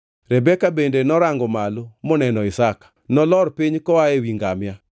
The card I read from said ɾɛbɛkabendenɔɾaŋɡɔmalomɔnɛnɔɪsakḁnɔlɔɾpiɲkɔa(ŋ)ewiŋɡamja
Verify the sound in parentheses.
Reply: incorrect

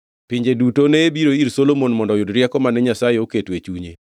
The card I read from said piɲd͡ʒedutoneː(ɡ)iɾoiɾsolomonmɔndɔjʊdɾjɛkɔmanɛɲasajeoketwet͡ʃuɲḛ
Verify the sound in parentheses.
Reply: incorrect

